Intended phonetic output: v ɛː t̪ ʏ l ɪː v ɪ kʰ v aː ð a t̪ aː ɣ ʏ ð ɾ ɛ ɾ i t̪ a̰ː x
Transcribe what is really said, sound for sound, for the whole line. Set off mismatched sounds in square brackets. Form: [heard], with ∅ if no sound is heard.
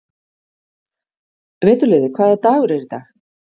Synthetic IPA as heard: v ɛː t̪ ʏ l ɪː [ð] ɪ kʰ v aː ð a t̪ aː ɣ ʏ [∅] ɾ ɛ ɾ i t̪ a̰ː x